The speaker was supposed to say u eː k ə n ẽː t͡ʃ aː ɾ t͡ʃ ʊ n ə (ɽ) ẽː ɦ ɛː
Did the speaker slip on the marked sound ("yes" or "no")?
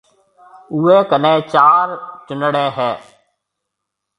no